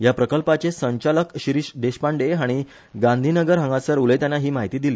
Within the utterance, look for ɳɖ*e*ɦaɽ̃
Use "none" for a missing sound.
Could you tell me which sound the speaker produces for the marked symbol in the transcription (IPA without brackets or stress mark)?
e